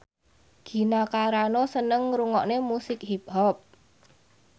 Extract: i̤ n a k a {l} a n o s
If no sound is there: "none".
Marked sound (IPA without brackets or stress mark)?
ɾ